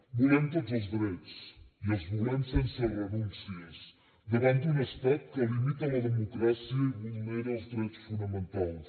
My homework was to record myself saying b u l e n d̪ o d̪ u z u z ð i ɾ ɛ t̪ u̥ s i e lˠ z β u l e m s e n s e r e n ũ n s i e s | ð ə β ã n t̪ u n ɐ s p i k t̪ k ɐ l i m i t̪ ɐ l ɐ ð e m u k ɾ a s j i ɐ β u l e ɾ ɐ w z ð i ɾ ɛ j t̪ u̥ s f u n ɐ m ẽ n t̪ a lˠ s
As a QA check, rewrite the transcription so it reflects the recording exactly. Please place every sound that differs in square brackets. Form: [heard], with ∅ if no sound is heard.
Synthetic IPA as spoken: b u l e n [t̪] o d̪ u z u z ð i ɾ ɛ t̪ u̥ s i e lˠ z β u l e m s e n s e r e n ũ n s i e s | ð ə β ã n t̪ u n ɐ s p [ɛ] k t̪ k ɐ l i m i t̪ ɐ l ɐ ð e m u k ɾ a s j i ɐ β u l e ɾ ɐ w z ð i ɾ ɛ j t̪ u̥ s f u n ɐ m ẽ n t̪ a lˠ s